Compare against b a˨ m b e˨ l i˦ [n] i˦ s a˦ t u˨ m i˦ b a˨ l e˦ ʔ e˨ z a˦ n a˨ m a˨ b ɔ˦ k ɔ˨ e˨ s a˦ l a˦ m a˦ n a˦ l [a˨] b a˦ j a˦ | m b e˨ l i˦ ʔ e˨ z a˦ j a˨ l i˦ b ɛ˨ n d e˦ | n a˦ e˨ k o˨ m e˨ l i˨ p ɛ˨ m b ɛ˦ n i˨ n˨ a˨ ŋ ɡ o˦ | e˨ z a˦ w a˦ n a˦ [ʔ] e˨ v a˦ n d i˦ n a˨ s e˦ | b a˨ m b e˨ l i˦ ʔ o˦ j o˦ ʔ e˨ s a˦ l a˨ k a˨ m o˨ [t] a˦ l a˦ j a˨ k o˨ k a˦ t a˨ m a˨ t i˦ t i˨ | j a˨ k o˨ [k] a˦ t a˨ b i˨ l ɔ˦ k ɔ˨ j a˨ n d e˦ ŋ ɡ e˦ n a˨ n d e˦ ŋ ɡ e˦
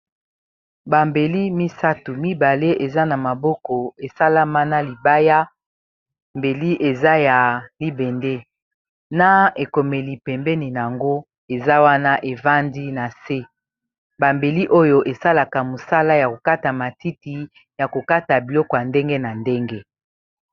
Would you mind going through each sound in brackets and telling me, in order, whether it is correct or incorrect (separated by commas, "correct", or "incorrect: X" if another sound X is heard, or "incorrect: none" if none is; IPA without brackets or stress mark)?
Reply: incorrect: m, incorrect: i˨, correct, incorrect: s, correct